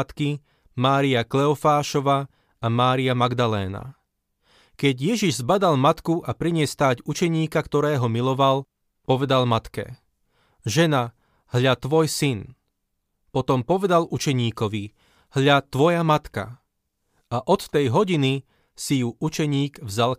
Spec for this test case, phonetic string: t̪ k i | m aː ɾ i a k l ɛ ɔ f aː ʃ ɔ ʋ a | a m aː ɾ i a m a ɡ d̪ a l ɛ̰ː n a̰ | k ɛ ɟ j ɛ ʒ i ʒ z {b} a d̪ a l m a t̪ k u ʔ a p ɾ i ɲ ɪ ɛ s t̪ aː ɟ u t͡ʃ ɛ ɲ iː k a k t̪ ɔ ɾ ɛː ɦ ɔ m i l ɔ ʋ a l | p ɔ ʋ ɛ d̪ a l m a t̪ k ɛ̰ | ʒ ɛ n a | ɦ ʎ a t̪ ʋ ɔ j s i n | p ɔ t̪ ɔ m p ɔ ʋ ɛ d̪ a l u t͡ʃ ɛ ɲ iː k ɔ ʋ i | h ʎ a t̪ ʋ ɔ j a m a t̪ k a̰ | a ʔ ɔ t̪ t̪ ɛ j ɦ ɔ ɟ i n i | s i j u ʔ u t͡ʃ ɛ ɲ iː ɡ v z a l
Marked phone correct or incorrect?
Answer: correct